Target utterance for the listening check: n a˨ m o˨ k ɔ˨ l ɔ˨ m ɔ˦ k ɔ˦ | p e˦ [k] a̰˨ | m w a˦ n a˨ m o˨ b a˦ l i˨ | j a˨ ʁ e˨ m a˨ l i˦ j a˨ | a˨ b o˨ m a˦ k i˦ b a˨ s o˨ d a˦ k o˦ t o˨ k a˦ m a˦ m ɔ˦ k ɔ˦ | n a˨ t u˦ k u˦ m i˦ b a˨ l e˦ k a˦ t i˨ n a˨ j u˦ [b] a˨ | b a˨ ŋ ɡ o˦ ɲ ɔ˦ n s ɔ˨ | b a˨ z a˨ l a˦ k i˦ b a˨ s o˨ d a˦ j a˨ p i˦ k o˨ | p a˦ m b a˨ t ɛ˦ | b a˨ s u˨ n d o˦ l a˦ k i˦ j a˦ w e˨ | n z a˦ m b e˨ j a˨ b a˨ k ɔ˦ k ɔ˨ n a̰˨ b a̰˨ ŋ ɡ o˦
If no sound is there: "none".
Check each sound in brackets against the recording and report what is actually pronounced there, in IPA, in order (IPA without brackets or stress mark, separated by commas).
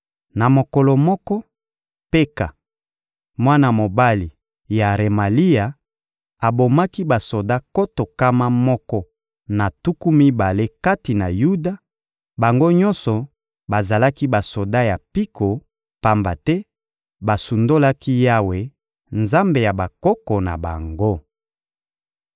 k, d